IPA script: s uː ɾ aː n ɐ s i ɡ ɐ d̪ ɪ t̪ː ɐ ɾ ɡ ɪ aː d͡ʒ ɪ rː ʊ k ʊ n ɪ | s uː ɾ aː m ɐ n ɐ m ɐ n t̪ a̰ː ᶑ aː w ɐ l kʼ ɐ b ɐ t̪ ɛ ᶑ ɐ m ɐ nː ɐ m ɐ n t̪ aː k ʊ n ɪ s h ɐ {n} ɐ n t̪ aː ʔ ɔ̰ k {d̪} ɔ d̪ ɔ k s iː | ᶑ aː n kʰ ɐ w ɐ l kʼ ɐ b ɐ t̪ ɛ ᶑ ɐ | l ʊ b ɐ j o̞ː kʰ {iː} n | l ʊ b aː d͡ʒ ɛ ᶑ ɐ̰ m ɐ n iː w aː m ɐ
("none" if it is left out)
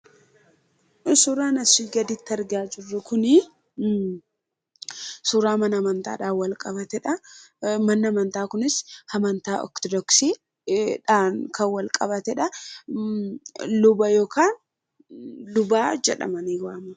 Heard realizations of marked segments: m, t̪, aː

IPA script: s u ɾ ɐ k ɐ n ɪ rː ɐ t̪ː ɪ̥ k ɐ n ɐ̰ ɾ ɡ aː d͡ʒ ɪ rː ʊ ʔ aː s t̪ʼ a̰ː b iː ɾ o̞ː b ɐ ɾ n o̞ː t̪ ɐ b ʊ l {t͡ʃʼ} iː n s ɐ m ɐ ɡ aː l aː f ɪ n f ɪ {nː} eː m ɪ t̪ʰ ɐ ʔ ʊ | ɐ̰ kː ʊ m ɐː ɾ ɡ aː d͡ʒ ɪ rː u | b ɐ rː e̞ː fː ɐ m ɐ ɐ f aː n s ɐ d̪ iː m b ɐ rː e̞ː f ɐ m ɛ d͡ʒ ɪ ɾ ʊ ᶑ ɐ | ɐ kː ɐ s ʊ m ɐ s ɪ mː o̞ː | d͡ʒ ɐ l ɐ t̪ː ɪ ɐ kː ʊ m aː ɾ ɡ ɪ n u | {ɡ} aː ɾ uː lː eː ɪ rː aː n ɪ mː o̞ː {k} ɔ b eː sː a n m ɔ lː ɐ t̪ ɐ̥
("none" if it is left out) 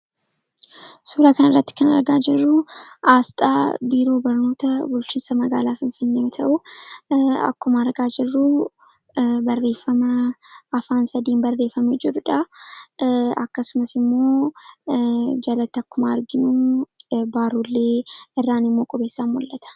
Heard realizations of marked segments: t͡ʃ, nː, b, kʼ

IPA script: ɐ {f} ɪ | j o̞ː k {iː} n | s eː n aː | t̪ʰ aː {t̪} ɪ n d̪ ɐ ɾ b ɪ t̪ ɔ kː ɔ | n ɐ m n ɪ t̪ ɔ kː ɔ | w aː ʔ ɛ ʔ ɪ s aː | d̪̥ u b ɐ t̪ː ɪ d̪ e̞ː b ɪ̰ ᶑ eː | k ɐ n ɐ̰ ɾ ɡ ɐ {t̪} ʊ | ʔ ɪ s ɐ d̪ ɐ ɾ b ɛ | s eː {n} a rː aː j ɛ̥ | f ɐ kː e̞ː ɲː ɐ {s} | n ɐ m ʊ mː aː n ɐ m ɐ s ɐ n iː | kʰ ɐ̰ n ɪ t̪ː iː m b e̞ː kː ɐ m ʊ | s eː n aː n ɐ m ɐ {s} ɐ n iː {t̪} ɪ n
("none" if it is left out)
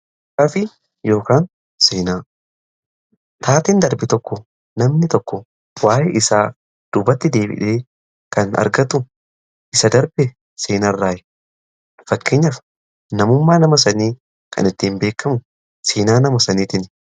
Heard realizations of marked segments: f, aː, t̪, t̪, n, f, s, t̪

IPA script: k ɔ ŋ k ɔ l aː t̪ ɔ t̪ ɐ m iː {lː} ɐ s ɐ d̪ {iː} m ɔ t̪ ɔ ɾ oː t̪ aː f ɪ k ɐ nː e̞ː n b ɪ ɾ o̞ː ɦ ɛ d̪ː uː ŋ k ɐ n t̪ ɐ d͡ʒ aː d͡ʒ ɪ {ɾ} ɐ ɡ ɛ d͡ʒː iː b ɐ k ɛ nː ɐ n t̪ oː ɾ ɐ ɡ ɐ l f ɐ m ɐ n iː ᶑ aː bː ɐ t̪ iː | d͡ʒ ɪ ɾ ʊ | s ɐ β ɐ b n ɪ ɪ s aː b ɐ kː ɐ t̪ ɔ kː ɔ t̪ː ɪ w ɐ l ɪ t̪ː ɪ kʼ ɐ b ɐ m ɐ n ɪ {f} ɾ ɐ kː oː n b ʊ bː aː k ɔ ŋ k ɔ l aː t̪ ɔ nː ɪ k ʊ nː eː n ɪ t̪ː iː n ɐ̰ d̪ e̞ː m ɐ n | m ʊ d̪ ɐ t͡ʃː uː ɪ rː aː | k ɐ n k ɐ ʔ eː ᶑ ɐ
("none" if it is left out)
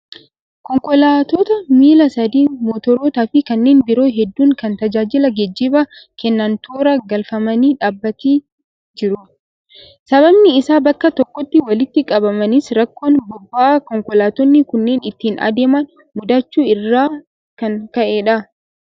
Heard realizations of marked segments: l, iː, l, s

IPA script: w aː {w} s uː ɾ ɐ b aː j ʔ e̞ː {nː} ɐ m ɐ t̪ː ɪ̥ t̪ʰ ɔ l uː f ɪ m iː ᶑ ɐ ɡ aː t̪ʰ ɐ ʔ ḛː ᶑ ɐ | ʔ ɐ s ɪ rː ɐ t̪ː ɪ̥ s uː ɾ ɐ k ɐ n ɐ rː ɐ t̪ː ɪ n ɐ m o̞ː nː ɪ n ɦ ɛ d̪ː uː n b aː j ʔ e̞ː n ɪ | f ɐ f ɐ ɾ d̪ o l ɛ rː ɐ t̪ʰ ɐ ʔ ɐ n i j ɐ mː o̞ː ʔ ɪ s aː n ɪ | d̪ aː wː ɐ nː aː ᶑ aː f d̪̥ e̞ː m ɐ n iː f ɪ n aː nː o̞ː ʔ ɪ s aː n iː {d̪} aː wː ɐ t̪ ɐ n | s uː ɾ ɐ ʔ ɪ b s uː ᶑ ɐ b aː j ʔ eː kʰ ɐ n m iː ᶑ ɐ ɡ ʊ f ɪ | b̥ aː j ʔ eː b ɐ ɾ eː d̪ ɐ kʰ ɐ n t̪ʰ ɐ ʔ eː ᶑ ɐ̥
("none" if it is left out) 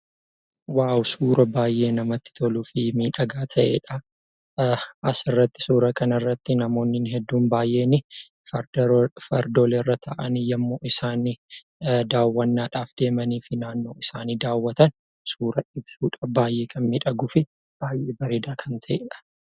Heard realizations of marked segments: w, n, d̪

